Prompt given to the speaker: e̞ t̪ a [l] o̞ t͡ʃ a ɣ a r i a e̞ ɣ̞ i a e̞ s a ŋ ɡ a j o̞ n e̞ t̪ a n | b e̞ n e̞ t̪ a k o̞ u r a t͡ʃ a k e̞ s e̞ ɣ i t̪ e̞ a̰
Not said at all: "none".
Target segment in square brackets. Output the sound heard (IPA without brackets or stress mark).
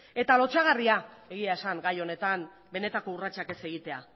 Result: l